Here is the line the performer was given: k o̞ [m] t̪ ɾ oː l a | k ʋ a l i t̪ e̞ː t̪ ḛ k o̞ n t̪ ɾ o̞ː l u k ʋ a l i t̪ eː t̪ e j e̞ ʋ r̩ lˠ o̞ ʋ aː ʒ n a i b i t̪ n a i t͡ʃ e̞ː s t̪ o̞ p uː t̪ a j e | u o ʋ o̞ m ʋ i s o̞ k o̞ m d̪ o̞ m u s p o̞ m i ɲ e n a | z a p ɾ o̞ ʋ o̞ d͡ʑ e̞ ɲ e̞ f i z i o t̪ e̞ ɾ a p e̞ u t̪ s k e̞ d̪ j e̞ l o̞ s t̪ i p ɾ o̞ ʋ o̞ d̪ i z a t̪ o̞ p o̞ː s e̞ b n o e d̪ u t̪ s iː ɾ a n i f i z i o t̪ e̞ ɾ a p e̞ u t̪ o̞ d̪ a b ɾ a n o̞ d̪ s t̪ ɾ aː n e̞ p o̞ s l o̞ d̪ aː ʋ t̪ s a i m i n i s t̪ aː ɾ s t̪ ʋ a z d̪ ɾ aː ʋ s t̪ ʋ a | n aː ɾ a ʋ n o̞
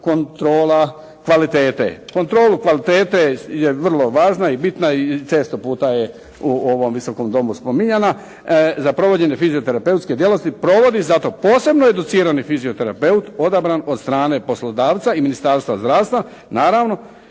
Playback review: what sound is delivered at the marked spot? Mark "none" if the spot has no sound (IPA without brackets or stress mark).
n